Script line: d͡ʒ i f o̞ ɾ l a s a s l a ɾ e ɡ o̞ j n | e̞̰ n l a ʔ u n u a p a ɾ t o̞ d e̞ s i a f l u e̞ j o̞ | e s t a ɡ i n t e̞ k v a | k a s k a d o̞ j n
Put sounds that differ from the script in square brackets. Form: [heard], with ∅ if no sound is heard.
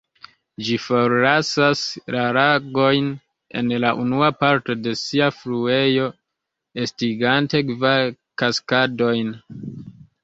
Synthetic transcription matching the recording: d͡ʒ i f o̞ ɾ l a s a s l a ɾ [a] ɡ o̞ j n | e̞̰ n l a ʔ u n u a p a ɾ t o̞ d e̞ s i a f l u e̞ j o̞ | e s t [i] ɡ [a] n t e̞ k v a | k a s k a d o̞ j n